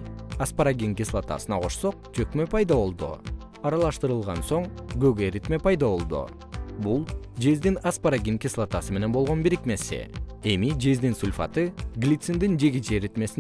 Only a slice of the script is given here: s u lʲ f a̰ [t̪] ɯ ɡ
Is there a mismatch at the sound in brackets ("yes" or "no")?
no